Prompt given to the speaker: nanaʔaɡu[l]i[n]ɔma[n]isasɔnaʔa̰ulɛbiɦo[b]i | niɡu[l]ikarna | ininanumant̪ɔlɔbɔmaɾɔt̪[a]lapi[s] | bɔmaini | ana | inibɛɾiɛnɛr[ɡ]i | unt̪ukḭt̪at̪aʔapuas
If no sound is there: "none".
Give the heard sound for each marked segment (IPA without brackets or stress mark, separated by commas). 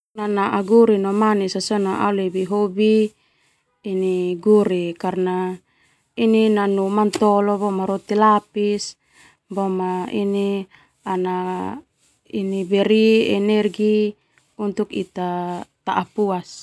ɾ, n, n, b, ɾ, i, s, ɡ